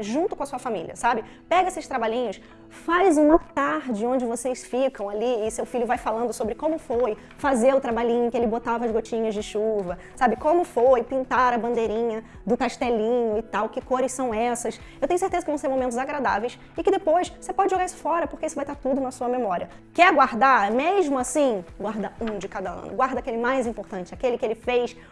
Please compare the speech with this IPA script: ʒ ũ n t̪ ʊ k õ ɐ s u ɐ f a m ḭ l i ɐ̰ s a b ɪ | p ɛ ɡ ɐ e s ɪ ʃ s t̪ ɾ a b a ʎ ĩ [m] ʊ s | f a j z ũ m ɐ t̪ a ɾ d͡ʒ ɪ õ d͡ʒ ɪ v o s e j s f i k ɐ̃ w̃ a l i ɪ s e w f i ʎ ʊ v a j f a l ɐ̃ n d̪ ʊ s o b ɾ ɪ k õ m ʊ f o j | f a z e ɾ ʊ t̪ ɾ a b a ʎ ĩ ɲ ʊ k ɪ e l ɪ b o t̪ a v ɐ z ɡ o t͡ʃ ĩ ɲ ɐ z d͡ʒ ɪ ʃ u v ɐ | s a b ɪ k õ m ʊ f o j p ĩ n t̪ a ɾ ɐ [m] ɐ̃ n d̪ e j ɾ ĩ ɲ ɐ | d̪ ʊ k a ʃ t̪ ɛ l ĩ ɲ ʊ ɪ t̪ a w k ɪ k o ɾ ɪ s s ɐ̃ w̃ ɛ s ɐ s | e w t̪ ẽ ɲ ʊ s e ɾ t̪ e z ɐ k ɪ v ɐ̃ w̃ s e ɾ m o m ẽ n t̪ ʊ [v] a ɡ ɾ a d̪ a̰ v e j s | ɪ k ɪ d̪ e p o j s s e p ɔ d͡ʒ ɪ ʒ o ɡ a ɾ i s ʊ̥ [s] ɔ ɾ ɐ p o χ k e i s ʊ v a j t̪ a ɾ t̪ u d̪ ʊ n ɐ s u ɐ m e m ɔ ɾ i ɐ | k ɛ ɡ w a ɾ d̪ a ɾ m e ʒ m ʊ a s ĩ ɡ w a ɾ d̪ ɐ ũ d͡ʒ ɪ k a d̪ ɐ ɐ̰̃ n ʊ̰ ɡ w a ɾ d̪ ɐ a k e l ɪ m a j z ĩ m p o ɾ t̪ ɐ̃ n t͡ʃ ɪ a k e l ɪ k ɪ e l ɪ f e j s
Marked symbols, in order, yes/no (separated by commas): no, no, no, no